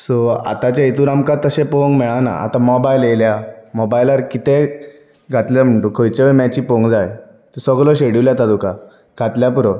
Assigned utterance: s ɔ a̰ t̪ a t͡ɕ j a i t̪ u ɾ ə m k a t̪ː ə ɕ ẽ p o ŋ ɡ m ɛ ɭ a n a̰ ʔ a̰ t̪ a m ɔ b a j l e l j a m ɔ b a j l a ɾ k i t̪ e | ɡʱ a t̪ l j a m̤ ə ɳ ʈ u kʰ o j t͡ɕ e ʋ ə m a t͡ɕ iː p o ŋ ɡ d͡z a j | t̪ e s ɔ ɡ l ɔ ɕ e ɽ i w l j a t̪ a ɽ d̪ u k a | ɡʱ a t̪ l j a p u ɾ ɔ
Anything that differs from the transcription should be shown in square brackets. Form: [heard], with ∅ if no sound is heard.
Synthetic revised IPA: s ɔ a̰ t̪ a t͡ɕ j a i t̪ u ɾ [a] m k a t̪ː ə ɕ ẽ p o ŋ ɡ m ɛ ɭ a n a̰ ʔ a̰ t̪ a m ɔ b a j l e l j a m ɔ b a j l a ɾ k i t̪ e | ɡʱ a t̪ l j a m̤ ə ɳ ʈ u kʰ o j t͡ɕ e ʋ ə m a t͡ɕ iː p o ŋ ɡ d͡z a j | t̪ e s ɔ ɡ l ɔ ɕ e ɽ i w l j a t̪ a [∅] d̪ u k a | ɡʱ a t̪ l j a p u ɾ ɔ